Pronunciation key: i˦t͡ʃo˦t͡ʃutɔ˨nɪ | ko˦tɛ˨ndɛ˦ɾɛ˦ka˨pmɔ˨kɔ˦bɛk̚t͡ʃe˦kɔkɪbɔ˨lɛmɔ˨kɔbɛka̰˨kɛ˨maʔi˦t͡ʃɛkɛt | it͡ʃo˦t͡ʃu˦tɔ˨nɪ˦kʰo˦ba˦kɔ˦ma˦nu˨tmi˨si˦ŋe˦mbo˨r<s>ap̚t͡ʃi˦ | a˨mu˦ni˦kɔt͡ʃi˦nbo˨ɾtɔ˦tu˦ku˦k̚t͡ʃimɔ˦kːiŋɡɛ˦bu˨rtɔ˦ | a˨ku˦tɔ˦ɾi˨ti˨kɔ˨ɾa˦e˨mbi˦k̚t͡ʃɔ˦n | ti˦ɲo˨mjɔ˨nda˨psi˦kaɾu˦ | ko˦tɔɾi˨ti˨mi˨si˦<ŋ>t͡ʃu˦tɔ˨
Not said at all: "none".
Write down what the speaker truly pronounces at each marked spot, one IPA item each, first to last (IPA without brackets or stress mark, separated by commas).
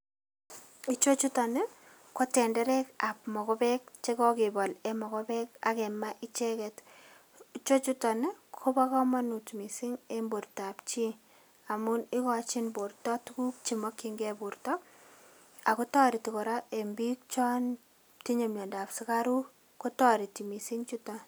t, ŋ